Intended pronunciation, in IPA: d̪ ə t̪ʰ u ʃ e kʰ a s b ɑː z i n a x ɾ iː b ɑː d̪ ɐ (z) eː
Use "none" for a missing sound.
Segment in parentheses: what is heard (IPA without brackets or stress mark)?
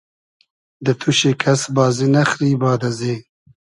z